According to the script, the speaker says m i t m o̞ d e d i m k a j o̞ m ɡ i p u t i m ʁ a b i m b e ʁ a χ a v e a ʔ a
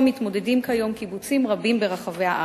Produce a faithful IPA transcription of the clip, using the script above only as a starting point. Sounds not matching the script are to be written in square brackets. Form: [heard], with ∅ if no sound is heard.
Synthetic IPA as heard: m i t m o̞ d e d i m k a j o̞ m [k] i [b] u [t͡s] i m ʁ a b i m b e ʁ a χ a v e a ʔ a

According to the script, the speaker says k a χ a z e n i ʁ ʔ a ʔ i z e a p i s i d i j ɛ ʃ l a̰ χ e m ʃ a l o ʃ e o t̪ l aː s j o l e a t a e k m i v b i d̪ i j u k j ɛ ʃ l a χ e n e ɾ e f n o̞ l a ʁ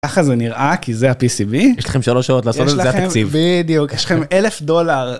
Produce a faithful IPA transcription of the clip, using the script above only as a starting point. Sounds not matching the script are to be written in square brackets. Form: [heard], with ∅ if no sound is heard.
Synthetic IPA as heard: k a χ a z e n i ʁ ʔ a [k] i z e a p i s i [b] i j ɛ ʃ l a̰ χ e m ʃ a l o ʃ [a] o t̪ l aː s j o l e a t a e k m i v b i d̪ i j u k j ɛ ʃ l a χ e [m] e [l] e f [d] o̞ l a ʁ

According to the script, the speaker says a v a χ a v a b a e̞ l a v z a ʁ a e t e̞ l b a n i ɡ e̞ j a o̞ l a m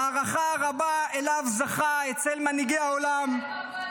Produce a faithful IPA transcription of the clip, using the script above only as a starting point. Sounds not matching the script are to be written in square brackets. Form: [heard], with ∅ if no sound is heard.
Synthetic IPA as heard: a [ʁ] a χ a [ʁ] a b a e̞ l a v z a [χ] a e [t͡s] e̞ l [m] a n i ɡ e̞ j a o̞ l a m

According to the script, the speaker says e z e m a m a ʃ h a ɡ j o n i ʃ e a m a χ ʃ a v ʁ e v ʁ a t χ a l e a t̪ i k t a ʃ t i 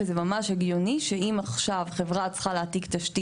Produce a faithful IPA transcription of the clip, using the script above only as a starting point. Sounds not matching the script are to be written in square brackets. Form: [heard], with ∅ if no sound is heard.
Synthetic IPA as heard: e z e m a m a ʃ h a ɡ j o n i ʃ e [i] m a χ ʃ a v [χ] e v ʁ a [t͡s] χ a l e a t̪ i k t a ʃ t i

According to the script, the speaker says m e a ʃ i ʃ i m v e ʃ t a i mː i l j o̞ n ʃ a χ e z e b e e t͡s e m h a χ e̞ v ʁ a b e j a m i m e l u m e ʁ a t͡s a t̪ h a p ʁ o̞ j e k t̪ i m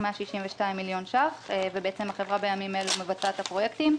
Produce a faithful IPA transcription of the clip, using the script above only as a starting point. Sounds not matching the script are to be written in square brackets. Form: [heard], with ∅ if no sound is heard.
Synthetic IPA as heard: m e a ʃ i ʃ i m v e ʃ t a i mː i l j o̞ n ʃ a χ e [v] e b e e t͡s e m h a χ e̞ v ʁ a b e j a m i m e l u m e [v] a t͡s a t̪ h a p ʁ o̞ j e k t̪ i m

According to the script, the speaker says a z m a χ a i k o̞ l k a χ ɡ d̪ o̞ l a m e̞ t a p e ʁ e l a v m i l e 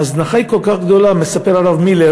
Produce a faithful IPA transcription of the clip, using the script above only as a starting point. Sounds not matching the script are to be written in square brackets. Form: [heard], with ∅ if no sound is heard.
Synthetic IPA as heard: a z [n] a χ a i k o̞ l k a χ ɡ d̪ o̞ l a m e̞ [s] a p e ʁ [a] l a v m i l e

